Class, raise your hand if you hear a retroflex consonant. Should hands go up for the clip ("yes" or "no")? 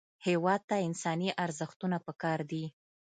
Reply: no